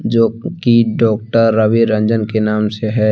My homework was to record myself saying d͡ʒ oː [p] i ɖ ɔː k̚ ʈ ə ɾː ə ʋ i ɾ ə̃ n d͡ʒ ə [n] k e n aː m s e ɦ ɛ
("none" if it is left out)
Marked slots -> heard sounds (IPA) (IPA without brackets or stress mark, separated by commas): k, n